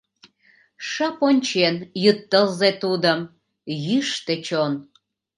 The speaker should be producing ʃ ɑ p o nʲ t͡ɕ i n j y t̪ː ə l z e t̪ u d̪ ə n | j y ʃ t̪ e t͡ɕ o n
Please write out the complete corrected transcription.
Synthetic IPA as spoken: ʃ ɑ p o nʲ t͡ɕ e n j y t̪ː ə l z e t̪ u d̪ ə m | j y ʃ t̪ e t͡ɕ o n